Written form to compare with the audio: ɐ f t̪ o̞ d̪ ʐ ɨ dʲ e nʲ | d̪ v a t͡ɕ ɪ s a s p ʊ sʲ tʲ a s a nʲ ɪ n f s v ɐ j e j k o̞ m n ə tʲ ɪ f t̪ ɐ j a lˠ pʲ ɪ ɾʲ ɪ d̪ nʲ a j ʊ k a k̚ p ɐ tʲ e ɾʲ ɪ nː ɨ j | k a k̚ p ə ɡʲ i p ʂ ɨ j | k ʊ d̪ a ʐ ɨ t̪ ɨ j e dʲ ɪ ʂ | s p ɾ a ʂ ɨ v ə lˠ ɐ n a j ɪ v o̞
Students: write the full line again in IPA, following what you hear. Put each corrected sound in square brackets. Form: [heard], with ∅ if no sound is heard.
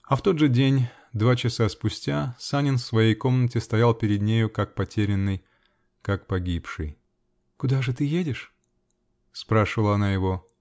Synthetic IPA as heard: ɐ f t̪ o̞ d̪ ʐ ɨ dʲ e nʲ | d̪ v a t͡ɕ ɪ s a s p ʊ sʲ tʲ a s a nʲ ɪ n f s v ɐ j e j k o̞ m n ə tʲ ɪ [s] t̪ ɐ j a lˠ pʲ ɪ ɾʲ ɪ d̪ nʲ [e] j ʊ k a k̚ p ɐ tʲ e ɾʲ ɪ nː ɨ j | k a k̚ p [ɐ] ɡʲ i p ʂ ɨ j | k ʊ d̪ a ʐ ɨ t̪ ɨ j e dʲ ɪ ʂ | s p ɾ a ʂ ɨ v ə lˠ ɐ n a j ɪ v o̞